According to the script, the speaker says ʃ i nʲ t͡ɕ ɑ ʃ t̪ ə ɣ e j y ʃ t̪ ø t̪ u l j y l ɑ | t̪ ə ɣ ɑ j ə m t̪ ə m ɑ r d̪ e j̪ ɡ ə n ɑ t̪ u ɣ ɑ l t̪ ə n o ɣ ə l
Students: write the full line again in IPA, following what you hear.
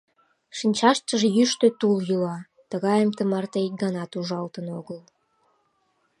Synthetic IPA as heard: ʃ i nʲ t͡ɕ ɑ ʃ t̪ ə ʒ e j y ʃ t̪ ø t̪ u l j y l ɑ | t̪ ə ɣ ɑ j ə m t̪ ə m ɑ r t̪ e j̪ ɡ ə n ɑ t̪ u ʒ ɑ l t̪ ə n o ɣ ə l